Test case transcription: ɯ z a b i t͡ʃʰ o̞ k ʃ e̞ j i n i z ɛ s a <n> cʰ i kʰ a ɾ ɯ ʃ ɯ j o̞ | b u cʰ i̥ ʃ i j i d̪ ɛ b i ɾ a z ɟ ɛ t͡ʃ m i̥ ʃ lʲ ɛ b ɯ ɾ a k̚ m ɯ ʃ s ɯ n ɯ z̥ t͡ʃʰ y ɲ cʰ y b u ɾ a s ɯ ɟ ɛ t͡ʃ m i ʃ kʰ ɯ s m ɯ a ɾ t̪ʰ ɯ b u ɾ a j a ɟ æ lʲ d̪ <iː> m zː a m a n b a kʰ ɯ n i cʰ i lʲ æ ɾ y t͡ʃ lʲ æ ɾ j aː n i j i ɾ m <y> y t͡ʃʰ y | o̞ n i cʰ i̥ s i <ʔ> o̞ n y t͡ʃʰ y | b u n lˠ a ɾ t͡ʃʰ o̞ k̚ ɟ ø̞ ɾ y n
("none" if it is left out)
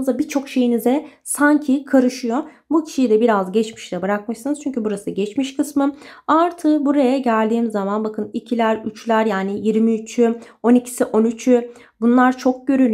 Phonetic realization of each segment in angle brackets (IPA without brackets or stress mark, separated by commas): ɲ, iː, i, ʔ